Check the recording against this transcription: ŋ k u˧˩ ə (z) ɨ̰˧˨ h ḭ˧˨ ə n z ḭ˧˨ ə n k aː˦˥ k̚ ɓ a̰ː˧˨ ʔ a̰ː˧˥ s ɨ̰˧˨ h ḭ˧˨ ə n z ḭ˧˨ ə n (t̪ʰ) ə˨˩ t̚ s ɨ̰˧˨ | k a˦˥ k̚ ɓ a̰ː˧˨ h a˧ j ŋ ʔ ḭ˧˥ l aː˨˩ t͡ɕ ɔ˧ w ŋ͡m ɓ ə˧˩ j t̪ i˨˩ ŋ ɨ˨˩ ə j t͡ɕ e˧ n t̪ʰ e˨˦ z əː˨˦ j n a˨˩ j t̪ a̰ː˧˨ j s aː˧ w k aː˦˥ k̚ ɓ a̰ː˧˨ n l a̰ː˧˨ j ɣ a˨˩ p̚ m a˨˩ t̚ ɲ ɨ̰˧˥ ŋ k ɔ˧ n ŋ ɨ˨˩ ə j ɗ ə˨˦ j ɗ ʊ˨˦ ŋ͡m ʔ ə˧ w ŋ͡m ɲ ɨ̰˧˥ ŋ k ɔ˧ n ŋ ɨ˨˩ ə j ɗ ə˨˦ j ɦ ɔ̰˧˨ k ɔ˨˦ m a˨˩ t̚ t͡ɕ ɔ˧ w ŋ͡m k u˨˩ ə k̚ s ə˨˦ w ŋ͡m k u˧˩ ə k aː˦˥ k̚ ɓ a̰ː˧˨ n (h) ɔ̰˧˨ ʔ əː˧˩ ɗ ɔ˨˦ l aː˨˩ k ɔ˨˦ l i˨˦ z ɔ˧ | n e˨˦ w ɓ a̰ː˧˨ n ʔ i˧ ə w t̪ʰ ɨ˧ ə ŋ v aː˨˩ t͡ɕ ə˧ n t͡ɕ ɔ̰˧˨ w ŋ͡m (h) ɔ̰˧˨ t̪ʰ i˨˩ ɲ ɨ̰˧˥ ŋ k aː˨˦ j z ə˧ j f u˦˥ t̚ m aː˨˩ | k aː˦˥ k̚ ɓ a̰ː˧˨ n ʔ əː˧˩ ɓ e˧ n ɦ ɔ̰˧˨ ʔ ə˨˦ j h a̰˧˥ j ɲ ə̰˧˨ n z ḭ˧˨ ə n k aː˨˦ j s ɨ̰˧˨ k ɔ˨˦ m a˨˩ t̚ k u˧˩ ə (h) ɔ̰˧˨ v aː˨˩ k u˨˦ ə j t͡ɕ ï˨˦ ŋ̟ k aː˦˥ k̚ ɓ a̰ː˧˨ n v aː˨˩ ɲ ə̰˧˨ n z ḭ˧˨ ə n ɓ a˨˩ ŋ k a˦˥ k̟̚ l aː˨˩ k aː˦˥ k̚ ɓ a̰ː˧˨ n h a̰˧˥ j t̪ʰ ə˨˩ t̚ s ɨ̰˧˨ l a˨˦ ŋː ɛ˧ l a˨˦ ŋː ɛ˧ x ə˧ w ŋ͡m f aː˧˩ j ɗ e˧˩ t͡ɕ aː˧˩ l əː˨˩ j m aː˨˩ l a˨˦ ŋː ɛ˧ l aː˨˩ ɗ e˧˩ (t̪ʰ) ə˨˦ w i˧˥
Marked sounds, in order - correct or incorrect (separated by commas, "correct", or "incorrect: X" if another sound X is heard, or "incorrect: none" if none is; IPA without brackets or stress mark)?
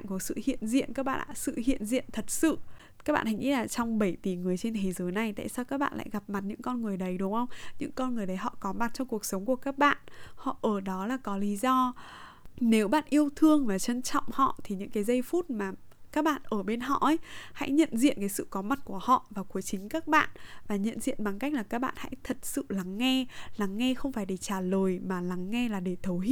incorrect: s, correct, correct, correct, correct, correct